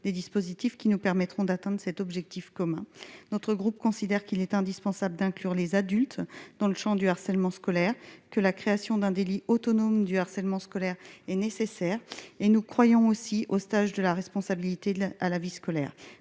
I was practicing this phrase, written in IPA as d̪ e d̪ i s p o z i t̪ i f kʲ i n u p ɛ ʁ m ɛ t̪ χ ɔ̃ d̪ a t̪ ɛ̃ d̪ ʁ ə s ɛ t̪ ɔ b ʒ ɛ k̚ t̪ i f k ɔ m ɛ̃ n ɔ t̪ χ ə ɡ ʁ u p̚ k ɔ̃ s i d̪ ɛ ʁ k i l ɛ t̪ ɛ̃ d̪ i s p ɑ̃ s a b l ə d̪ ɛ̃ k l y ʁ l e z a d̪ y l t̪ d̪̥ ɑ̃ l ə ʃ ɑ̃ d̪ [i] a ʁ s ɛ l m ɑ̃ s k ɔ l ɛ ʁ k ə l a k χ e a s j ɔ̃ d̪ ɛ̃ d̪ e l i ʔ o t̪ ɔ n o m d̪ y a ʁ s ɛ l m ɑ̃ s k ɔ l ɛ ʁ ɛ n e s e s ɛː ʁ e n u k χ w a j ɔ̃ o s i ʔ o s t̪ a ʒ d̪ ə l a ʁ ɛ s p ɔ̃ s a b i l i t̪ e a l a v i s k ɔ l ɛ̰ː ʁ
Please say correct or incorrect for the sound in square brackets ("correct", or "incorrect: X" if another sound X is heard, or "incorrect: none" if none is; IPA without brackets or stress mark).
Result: incorrect: y